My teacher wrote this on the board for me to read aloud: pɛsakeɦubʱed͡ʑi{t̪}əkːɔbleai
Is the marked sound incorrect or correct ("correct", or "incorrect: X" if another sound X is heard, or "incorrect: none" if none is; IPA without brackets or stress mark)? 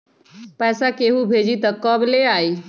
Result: correct